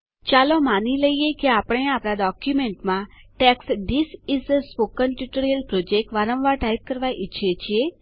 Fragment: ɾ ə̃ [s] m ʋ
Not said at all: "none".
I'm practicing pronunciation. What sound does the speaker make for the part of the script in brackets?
none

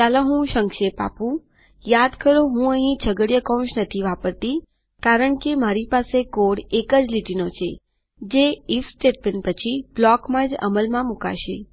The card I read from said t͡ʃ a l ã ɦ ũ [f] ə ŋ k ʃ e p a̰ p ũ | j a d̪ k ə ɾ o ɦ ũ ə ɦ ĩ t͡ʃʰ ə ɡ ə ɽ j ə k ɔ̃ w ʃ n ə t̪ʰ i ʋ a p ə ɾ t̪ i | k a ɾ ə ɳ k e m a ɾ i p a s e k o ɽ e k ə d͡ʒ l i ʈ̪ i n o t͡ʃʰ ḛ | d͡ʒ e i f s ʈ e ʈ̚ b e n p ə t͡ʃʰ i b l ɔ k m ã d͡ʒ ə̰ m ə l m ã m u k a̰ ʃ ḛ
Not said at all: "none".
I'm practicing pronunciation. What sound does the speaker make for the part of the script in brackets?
ʃ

